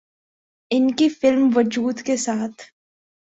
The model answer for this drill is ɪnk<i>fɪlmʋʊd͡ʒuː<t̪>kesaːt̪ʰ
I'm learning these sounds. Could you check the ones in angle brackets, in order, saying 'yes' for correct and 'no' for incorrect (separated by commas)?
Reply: yes, no